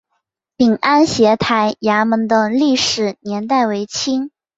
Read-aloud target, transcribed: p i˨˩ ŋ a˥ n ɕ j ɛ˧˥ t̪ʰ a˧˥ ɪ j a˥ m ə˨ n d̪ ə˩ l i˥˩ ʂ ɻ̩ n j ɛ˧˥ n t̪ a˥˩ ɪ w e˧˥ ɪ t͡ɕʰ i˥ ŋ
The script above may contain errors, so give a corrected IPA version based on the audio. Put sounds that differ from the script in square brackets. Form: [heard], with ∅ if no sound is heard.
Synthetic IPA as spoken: p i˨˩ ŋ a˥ n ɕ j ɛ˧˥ t̪ʰ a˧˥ ɪ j [a˧˥] m [ə˧˥] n d̪ [ə˧] l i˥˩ ʂ ɻ̩ n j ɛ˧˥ n t̪ a˥˩ ɪ w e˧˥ ɪ t͡ɕʰ i˥ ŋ